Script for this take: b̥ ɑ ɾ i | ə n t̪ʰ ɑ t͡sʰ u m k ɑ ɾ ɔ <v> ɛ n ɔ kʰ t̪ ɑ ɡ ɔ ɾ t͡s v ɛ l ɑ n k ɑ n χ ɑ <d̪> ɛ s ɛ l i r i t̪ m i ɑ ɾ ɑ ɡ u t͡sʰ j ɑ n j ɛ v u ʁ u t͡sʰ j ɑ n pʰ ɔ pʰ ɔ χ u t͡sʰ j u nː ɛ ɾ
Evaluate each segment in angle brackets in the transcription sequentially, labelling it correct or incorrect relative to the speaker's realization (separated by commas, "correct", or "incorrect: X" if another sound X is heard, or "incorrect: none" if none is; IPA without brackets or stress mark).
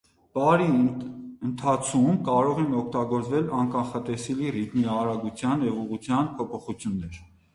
incorrect: ʁ, incorrect: t̪